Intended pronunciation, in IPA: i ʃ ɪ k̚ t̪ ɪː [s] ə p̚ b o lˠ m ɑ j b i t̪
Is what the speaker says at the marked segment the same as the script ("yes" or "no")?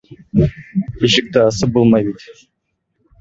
yes